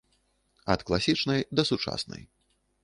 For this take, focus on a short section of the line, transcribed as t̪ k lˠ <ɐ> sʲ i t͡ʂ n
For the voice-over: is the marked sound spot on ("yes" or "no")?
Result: no